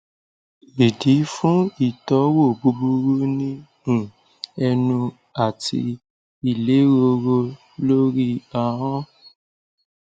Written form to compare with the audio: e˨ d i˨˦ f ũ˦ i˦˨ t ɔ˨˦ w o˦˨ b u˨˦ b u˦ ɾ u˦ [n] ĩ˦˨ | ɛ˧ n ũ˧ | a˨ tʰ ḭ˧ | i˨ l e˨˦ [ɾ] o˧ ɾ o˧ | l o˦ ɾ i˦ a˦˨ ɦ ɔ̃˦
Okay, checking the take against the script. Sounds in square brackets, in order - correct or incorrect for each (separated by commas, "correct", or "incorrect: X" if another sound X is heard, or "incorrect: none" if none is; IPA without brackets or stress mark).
correct, correct